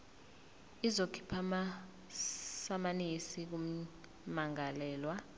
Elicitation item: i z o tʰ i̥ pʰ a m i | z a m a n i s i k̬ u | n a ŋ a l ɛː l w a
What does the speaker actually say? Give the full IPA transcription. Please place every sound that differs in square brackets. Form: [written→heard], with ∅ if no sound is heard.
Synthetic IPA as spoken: i z o [tʰ→kʰ] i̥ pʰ a m [i→a] | [z→s] a m a n i s i k̬ u | [n→m] a ŋ a l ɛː l w a